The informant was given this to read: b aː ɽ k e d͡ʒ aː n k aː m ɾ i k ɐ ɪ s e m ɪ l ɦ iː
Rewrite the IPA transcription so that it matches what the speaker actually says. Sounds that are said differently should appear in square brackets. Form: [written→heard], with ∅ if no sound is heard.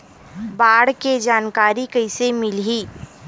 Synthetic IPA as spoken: b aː ɽ k e d͡ʒ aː n k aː [m→∅] ɾ i k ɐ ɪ s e m ɪ l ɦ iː